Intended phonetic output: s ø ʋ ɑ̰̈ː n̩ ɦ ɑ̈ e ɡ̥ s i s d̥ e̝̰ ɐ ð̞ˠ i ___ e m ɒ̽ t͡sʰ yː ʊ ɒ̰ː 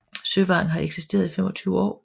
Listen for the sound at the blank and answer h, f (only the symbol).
f